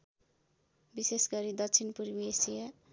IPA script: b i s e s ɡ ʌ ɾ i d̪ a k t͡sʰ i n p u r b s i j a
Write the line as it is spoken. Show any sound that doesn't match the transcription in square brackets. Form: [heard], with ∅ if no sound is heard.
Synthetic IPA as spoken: b i s e s ɡ ʌ ɾ i d̪ [ʌ] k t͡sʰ i n p u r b s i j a